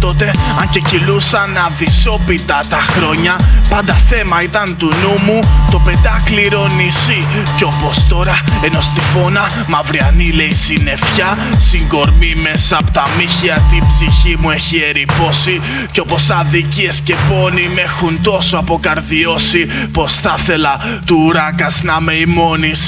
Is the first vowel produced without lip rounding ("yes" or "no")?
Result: no